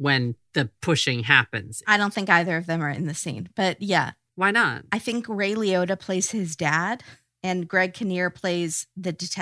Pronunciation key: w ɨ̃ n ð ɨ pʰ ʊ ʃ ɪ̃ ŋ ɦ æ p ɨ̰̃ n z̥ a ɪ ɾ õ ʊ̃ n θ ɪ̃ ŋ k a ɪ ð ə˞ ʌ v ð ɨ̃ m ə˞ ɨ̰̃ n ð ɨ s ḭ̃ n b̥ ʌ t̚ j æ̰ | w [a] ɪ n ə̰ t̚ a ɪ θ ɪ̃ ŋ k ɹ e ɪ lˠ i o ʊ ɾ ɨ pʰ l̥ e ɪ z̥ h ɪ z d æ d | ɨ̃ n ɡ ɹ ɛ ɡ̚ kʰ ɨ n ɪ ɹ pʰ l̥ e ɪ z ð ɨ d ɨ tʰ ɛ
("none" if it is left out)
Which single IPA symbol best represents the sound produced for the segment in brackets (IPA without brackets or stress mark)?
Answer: a